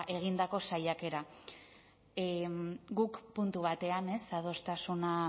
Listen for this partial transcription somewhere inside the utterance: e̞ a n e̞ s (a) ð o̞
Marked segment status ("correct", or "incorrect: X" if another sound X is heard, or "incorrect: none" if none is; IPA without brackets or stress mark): correct